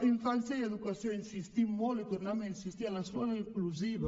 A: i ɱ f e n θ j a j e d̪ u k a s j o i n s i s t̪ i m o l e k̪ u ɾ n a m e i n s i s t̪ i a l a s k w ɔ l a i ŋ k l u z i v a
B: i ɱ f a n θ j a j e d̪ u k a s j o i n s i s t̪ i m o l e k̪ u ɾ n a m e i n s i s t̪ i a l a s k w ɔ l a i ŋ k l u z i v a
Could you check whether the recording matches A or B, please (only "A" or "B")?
B